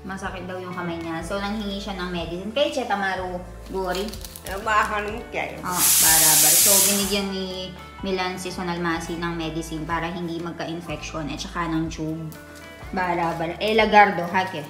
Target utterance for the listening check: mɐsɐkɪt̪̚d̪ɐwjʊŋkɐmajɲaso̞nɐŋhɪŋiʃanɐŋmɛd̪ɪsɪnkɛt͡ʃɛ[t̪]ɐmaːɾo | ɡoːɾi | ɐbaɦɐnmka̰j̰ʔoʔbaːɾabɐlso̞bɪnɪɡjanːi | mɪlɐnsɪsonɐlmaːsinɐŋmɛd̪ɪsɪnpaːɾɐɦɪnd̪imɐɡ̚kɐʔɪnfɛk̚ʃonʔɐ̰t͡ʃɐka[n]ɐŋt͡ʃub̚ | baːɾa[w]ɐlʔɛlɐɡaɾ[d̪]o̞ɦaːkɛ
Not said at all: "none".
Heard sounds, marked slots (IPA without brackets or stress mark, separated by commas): t̪, n, b, d̪